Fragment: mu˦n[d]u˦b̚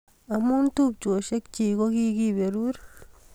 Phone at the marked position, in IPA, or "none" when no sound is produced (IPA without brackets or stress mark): t